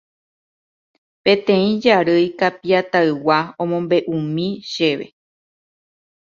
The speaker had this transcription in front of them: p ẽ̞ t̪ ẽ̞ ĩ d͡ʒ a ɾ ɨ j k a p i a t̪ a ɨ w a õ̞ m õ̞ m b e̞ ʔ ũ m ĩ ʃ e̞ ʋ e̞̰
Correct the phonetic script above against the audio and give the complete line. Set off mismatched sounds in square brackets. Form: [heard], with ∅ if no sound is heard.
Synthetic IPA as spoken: p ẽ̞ t̪ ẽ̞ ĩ d͡ʒ a ɾ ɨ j k a p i a t̪ a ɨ w a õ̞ m õ̞ m b e̞ ʔ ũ m ĩ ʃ e̞ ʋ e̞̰